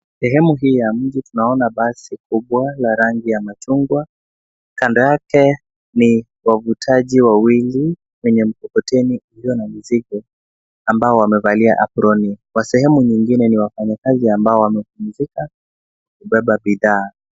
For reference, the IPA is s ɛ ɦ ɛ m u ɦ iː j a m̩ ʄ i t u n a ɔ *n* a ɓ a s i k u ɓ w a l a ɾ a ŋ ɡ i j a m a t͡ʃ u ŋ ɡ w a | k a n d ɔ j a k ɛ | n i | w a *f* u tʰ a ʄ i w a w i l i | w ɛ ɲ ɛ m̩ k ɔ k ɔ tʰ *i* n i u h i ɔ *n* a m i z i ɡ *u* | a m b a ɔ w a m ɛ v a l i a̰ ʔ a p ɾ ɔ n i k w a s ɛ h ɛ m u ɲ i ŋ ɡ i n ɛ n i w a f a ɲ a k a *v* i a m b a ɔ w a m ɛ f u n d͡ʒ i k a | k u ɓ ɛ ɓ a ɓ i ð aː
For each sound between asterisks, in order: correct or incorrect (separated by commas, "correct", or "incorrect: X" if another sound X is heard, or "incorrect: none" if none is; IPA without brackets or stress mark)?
correct, incorrect: v, incorrect: ɛ, correct, incorrect: ɔ, incorrect: z